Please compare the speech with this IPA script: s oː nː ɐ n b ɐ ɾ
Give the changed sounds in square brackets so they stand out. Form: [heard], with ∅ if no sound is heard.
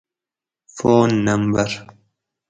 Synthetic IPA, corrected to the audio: [f] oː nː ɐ [m] b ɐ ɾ